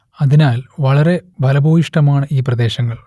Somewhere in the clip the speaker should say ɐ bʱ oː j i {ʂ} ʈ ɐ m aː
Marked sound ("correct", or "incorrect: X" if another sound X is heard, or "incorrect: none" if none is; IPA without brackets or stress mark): correct